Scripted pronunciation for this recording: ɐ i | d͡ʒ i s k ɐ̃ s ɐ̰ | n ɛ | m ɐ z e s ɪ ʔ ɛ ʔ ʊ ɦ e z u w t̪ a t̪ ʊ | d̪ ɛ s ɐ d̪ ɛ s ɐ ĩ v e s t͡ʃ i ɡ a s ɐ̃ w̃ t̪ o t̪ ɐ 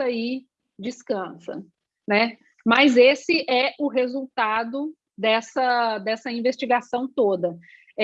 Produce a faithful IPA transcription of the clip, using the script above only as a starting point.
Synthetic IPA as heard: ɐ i | d͡ʒ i s k ɐ̃ s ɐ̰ | n ɛ | m ɐ z e s ɪ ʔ ɛ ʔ ʊ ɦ e z u w t̪ a d̪ ʊ | d̪ ɛ s ɐ d̪ ɛ s ɐ ĩ v e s t͡ʃ i ɡ a s ɐ̃ w̃ t̪ o d̪ ɐ

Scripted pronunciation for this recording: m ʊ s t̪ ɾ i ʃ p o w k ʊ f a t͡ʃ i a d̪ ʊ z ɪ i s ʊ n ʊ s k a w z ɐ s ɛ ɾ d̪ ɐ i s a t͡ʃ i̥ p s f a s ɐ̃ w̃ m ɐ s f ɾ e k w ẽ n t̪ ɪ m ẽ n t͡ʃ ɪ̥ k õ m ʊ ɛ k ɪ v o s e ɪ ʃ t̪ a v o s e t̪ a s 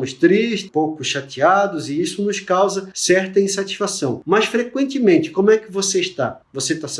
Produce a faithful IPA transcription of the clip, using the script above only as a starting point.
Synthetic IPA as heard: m ʊ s t̪ ɾ i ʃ p o w k ʊ ʃ a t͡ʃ i a d̪ ʊ z ɪ i s ʊ n ʊ s k a w z ɐ s ɛ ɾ t̪ ɐ ĩ s a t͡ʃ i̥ s f a s ɐ̃ w̃ m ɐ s f ɾ e k w ẽ n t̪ ɪ m ẽ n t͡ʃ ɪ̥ k õ m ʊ ɛ k ɪ v o s e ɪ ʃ t̪ a v o s e t̪ a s

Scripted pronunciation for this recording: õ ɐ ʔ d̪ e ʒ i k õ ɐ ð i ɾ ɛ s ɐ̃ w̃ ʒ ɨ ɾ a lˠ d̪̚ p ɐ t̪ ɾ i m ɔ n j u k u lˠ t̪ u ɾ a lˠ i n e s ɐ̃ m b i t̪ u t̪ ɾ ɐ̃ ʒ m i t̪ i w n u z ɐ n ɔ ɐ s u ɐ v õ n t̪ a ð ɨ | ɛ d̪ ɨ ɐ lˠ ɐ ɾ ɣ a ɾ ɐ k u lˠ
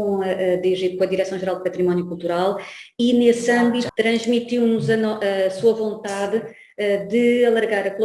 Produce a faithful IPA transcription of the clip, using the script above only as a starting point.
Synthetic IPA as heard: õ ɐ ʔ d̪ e ʒ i k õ ɐ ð i ɾ ɛ s ɐ̃ w̃ ʒ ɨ ɾ a lˠ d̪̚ p ɐ t̪ ɾ i m ɔ n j u k u lˠ t̪ u ɾ a lˠ i n e s ɐ̃ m b i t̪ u t̪ ɾ ɐ̃ ʒ m i t̪ i w n u z ɐ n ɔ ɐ s u ɐ v õ n t̪ a ð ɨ | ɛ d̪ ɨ ɐ lˠ ɐ ɾ ɣ a ɾ ɐ k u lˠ

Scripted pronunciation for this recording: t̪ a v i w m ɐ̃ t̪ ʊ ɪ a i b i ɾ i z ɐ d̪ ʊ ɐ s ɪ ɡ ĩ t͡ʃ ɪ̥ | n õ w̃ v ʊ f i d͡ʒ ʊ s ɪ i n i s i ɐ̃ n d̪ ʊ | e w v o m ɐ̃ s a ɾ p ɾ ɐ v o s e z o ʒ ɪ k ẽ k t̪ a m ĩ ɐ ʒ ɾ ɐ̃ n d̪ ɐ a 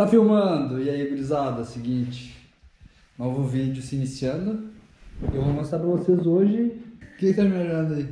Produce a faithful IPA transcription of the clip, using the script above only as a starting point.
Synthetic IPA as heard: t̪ a f i w m ɐ̃ d̪ ʊ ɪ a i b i l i z a d̪ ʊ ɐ s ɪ ɡ ĩ t͡ʃ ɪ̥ | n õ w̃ v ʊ v i d͡ʒ ʊ s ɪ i n i s i ɐ̃ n d̪ ʊ | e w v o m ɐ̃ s a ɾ p ɾ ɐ v o s e z o ʒ ɪ k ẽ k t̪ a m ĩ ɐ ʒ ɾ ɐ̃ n d̪ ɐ i

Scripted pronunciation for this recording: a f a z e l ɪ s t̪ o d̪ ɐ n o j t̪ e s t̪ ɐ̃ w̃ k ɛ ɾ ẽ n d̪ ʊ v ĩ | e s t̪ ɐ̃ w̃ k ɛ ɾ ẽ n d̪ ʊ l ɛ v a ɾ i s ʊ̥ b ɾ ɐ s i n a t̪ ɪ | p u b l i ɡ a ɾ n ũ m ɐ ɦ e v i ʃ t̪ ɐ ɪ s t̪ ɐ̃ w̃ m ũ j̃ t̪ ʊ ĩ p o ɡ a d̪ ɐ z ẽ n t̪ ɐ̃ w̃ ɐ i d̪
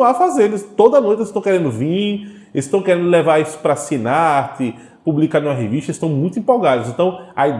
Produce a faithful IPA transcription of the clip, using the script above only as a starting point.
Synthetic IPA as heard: a f a z e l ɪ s t̪ o d̪ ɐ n o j t̪ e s t̪ ɐ̃ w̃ k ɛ ɾ ẽ n d̪ ʊ v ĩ | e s t̪ ɐ̃ w̃ k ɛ ɾ ẽ n d̪ ʊ l ɛ v a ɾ i s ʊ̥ p ɾ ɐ s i n a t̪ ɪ | p u b l i k a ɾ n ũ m ɐ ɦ e v i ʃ t̪ ɐ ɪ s t̪ ɐ̃ w̃ m ũ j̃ t̪ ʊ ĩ p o ɡ a d̪ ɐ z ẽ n t̪ ɐ̃ w̃ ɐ i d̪

